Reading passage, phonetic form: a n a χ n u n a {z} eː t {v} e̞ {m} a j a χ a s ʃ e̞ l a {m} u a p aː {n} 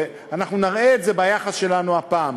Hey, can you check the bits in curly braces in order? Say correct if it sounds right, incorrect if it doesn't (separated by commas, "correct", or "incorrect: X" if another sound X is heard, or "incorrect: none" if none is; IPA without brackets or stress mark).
incorrect: ʁ, incorrect: z, incorrect: b, incorrect: n, incorrect: m